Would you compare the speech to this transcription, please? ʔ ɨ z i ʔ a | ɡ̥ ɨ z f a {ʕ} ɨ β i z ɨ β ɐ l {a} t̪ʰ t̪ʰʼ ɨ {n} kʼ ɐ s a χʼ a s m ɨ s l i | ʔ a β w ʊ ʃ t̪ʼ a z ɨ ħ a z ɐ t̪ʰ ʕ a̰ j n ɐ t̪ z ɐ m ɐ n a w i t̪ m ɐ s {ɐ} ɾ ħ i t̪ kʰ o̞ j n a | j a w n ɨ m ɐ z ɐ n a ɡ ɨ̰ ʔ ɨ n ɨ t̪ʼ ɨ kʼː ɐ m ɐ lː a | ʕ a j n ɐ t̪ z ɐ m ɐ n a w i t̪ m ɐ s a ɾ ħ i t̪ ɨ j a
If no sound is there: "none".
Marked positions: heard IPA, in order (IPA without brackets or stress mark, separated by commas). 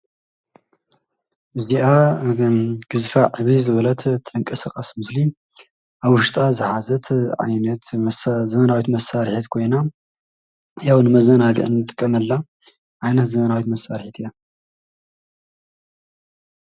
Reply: ʕ, ɐ, ŋ, a